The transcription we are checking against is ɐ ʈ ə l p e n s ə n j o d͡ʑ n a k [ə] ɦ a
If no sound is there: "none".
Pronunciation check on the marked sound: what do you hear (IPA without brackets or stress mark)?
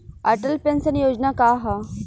a